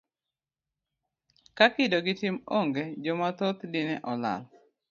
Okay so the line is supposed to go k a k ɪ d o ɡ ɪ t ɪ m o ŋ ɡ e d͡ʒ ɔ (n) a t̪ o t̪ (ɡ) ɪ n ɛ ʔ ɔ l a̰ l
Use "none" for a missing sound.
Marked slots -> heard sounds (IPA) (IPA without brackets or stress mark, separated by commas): m, d